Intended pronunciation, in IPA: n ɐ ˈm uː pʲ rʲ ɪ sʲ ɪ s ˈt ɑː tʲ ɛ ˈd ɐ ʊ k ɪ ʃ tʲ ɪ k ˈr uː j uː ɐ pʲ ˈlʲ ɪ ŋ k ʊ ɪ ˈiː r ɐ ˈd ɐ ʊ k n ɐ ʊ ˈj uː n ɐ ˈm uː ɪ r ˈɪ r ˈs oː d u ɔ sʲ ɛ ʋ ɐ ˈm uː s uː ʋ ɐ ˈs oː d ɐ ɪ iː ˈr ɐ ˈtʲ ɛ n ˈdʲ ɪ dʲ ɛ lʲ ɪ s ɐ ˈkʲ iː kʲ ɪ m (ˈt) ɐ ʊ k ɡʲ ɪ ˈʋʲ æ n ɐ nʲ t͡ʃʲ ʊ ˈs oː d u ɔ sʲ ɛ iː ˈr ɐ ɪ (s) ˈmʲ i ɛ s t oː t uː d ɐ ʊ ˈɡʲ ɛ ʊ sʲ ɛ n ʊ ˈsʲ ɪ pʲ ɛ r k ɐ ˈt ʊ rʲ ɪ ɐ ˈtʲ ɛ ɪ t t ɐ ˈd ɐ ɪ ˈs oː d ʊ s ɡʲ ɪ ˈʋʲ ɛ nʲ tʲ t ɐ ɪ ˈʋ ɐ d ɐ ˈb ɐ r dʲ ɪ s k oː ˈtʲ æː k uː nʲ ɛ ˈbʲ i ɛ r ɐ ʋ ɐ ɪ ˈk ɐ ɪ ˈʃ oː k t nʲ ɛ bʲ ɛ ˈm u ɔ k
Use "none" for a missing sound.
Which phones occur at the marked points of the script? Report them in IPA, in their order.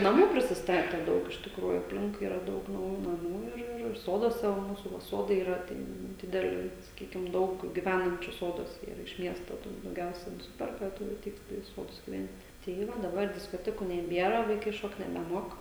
d, ʃ

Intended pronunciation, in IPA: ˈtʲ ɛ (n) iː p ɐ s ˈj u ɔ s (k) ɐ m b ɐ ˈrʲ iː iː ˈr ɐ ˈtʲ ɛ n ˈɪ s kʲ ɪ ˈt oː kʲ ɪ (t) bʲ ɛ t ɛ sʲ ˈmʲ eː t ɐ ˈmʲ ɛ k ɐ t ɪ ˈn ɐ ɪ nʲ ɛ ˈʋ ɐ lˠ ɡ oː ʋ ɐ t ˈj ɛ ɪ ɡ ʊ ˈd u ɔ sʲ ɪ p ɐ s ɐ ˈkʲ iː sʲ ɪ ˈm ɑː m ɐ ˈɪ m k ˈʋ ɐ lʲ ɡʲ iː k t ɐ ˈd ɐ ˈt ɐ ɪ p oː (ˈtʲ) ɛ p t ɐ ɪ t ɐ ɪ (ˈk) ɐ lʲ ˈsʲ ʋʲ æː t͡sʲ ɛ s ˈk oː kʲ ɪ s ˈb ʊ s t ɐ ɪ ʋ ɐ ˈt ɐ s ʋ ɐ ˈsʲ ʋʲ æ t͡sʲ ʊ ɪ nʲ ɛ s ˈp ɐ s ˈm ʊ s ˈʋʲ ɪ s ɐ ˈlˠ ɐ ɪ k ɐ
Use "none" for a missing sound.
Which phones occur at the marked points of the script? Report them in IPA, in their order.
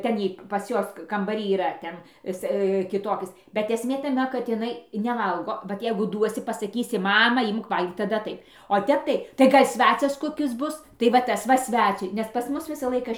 n, k, s, tʲ, ɡ

